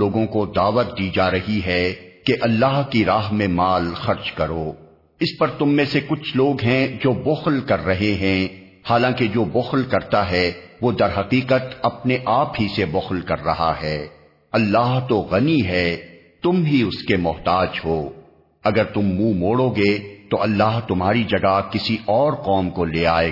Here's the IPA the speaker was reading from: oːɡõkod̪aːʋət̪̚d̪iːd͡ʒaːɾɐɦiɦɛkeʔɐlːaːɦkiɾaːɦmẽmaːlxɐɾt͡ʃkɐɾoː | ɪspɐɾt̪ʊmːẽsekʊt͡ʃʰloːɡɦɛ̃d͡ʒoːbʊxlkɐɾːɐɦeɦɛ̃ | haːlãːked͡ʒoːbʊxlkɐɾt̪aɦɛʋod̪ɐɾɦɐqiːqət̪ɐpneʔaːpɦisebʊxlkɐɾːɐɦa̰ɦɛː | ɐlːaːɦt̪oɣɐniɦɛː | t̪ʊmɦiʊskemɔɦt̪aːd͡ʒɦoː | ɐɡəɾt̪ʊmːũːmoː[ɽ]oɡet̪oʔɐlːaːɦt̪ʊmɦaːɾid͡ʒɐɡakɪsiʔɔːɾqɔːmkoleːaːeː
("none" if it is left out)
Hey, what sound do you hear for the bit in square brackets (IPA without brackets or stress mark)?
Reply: ɽ